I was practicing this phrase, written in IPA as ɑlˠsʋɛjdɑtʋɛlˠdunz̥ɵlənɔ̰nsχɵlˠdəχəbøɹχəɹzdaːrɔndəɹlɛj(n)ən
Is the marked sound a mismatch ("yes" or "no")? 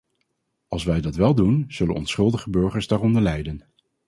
yes